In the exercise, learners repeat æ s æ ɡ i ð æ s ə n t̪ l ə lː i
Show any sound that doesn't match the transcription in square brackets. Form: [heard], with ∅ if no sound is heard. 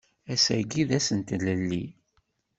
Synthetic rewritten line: æ s æ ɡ i ð æ s ə n t̪ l ə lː i